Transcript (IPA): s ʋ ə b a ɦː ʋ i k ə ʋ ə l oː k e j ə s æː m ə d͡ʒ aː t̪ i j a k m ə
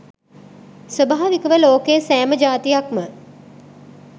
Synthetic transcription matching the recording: s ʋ ə b a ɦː ʋ i k ə ʋ ə l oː k e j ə s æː m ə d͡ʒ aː t̪ i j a k m ə